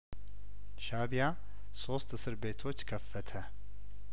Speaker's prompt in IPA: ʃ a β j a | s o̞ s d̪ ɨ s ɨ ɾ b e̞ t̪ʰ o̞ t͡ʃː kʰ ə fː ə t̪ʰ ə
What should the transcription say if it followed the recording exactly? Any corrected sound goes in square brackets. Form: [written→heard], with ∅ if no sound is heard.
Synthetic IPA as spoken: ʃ a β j a | s o̞ s [d̪→t̪] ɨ s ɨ ɾ b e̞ t̪ʰ o̞ t͡ʃː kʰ ə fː ə t̪ʰ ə